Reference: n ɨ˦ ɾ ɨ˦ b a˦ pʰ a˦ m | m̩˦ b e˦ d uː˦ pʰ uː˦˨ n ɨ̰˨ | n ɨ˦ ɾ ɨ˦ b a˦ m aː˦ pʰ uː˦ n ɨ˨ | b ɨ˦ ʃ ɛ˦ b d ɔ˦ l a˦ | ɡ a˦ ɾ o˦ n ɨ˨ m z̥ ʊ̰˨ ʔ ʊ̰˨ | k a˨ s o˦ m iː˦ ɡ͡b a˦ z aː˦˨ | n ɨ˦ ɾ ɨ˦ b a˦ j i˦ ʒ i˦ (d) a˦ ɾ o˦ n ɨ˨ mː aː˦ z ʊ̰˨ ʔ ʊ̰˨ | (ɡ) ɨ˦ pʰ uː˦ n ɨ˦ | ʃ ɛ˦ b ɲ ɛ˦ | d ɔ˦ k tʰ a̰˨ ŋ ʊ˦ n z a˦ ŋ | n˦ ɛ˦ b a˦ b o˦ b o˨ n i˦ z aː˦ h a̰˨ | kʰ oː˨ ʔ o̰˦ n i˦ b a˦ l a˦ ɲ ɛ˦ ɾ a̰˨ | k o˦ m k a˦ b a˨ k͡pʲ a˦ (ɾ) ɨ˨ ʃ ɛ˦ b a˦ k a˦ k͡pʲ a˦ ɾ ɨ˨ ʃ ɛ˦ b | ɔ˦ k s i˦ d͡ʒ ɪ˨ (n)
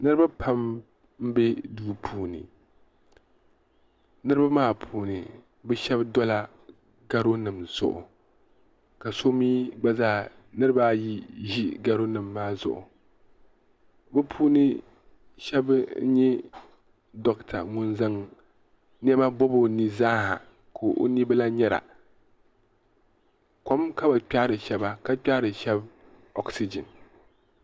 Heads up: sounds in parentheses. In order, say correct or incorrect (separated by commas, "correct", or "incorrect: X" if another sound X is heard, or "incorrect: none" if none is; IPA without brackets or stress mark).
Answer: incorrect: ɡ, incorrect: b, correct, correct